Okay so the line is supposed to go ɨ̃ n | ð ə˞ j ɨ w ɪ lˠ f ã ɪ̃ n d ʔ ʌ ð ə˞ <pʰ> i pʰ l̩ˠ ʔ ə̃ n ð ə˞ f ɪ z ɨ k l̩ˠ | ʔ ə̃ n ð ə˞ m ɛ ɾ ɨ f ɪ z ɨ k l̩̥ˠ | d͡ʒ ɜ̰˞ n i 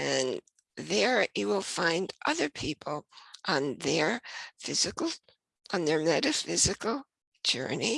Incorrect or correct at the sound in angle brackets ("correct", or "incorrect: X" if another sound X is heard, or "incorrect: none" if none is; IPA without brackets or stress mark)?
correct